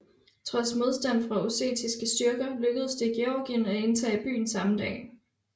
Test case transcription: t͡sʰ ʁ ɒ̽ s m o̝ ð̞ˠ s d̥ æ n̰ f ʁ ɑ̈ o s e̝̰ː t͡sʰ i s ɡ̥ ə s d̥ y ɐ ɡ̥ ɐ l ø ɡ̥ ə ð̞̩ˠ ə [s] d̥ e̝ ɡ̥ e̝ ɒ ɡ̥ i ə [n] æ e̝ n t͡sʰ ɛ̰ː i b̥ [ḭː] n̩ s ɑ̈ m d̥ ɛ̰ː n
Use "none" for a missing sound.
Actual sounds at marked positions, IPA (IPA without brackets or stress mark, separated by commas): s, n, y̰ː